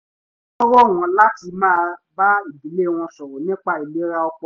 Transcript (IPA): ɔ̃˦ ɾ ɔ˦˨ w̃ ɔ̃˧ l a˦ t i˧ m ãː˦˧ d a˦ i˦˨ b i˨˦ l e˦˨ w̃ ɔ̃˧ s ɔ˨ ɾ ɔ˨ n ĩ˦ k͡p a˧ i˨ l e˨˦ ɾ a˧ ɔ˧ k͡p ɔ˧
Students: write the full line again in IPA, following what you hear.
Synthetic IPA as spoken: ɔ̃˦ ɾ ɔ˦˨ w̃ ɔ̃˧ l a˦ t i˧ m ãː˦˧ b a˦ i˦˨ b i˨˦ l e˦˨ w̃ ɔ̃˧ s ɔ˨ ɾ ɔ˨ n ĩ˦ k͡p a˧ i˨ l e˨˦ ɾ a˧ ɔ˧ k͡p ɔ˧